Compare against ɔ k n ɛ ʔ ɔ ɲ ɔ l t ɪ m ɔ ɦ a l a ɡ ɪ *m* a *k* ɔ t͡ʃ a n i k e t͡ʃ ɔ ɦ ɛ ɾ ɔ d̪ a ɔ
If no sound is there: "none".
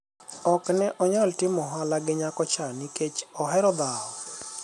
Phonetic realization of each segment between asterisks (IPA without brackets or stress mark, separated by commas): ɲ, k